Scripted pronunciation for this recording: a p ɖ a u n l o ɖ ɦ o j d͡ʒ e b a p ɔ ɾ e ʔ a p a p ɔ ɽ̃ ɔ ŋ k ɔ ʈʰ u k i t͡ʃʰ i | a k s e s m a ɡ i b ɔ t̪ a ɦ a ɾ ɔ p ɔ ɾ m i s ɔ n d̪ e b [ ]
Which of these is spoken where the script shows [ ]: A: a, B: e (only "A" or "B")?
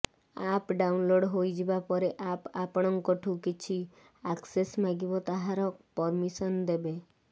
B